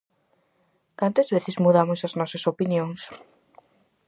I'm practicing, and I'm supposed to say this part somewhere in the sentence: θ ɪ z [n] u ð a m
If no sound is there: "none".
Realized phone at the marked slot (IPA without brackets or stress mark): m